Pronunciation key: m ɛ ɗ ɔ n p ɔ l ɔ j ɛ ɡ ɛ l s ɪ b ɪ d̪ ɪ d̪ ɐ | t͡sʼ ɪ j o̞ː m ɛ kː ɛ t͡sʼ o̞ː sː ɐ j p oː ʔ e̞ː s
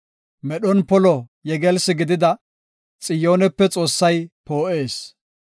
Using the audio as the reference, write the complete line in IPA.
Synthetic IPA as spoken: m ɛ ɗ ɔ n p ɔ l ɔ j ɛ ɡ ɛ l s ɪ ɡ ɪ d̪ ɪ d̪ ɐ | t͡sʼ ɪ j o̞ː n ɛ pː ɛ t͡sʼ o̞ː sː ɐ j p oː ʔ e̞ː s

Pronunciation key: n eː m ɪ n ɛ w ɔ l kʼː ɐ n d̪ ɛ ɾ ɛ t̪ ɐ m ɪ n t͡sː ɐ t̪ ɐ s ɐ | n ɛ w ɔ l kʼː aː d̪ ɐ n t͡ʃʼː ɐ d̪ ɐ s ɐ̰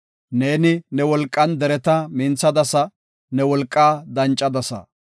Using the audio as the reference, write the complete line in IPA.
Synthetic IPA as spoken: n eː n ɪ n ɛ w ɔ l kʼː ɐ n d̪ ɛ ɾ ɛ t̪ ɐ m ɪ n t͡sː ɐ d̪ ɐ s ɐ | n ɛ w ɔ l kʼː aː d̪ ɐ n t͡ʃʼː ɐ d̪ ɐ s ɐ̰

